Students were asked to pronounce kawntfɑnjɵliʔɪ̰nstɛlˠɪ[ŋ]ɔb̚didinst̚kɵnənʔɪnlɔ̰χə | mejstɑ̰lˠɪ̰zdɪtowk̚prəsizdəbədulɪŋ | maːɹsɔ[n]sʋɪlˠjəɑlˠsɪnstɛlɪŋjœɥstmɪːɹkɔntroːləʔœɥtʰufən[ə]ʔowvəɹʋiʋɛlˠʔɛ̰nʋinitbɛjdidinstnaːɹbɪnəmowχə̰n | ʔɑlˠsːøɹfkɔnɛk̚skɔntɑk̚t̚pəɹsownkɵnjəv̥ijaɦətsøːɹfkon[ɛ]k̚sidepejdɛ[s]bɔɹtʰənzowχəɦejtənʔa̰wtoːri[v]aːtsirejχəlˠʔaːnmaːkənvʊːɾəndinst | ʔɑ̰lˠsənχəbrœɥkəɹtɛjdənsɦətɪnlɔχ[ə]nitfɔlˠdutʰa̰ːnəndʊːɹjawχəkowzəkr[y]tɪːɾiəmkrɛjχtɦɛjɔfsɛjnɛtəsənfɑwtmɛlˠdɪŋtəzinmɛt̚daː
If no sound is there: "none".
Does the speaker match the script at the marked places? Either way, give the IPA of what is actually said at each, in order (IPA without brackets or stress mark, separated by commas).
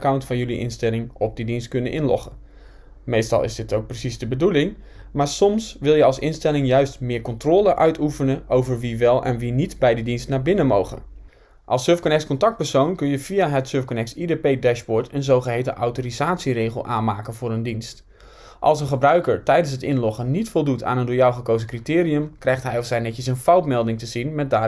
ŋ, m, ə, ɛ, ʃ, z, ə, i